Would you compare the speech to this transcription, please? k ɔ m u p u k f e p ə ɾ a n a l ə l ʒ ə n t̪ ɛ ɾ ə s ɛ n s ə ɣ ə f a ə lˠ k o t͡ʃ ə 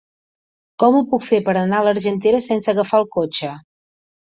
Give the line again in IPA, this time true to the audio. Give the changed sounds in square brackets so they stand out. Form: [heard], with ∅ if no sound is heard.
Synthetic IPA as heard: k ɔ m u p u k f e p ə ɾ [ə] n a l ə [ɾ] ʒ ə n t̪ [e] ɾ ə s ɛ n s ə ɣ ə f a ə lˠ k o t͡ʃ ə